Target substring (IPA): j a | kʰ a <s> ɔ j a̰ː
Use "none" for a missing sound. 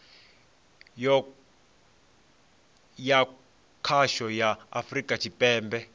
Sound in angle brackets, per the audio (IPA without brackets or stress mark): ʃ